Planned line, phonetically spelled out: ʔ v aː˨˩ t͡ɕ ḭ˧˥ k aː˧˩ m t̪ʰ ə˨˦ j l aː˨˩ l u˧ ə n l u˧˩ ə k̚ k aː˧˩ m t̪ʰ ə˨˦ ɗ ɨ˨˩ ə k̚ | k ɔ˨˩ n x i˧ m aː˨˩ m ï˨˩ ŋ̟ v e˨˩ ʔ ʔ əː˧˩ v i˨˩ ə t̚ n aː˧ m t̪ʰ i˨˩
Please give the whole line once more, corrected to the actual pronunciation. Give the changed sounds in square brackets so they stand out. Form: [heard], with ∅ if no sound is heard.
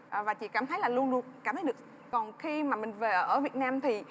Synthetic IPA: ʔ v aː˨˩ t͡ɕ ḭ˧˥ k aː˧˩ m t̪ʰ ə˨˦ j l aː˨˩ l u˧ ə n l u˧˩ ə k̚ k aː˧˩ m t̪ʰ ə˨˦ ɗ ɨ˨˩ ə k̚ | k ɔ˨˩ n x i˧ m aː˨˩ m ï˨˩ ŋ̟ v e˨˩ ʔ ʔ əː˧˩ v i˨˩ ə t̚ n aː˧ m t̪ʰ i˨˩